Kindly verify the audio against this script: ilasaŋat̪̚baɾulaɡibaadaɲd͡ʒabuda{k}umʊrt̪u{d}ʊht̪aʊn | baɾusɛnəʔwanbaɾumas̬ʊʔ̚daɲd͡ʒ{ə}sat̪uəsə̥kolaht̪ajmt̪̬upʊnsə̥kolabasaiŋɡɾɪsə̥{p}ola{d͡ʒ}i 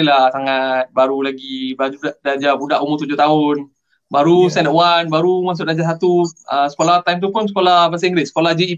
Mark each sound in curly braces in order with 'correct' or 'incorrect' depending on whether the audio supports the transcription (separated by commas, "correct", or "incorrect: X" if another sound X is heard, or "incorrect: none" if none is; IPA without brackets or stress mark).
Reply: incorrect: ʔ, incorrect: d͡ʒ, incorrect: a, incorrect: k, correct